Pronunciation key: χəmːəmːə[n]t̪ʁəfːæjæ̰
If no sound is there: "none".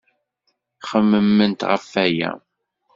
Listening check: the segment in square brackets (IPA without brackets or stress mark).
n